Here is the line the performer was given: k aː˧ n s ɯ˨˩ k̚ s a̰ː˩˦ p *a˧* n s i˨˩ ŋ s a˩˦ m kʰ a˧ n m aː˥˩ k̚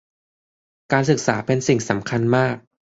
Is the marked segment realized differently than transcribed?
yes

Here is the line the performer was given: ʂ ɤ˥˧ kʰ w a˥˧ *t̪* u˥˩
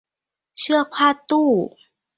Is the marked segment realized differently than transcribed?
no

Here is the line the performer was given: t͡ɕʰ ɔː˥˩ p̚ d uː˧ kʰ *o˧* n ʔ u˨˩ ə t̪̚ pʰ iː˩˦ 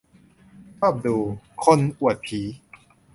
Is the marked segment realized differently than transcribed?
no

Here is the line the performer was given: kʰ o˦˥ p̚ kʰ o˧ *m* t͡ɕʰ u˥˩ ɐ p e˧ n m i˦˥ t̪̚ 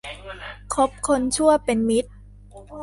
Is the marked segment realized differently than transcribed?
yes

